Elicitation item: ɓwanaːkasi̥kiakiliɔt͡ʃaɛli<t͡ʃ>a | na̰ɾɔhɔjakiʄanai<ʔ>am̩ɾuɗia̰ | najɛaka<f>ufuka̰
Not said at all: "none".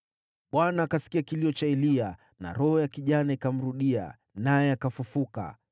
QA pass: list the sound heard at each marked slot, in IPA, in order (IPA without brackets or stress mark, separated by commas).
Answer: none, k, f